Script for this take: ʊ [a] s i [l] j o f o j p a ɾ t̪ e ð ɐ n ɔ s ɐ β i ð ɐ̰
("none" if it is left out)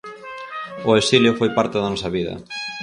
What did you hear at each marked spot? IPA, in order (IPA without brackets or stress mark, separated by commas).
e, l